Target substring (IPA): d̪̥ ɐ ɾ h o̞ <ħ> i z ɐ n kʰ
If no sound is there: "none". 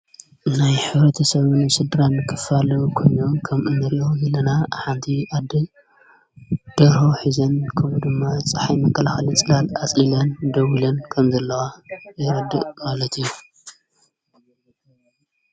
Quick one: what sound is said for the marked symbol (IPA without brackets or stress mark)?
ħ